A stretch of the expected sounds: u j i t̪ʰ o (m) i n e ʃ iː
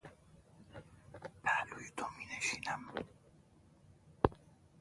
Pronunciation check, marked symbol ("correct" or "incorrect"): correct